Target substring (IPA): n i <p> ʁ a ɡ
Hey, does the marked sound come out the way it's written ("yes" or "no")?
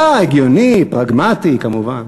yes